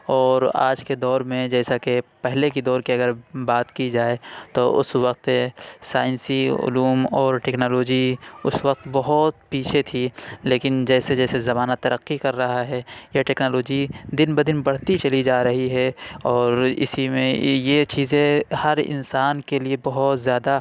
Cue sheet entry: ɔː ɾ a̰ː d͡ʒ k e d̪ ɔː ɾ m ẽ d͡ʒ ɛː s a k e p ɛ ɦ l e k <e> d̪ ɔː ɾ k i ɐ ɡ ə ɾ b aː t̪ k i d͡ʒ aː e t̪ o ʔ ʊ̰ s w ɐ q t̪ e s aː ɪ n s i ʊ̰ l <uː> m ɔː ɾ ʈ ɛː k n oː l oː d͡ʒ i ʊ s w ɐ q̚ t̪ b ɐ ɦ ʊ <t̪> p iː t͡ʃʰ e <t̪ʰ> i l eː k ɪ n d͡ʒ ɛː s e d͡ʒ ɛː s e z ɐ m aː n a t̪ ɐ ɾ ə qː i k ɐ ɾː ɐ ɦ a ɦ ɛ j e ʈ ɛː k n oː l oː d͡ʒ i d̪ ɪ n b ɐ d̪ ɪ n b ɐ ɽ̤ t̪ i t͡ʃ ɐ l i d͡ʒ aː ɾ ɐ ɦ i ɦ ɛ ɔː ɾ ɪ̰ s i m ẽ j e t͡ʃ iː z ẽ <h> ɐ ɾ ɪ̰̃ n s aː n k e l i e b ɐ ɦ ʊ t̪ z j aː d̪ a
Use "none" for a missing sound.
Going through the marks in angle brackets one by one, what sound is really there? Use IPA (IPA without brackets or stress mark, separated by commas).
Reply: i, uː, t̪, t̪ʰ, h